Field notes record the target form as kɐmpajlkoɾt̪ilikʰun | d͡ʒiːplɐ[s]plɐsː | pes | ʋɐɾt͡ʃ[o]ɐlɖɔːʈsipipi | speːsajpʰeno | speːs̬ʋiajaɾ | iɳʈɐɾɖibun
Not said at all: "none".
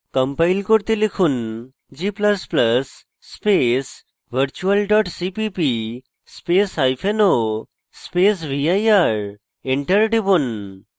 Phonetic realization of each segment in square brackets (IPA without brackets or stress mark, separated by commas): s, u